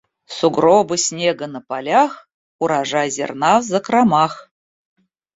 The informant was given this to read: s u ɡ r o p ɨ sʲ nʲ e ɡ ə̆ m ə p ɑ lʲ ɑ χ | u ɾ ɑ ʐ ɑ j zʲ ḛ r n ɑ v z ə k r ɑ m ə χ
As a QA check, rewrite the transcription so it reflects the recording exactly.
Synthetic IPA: s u ɡ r o b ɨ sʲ nʲ e ɡ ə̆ n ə p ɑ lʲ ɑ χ | u ɾ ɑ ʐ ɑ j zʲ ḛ r n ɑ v z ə k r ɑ m ɑ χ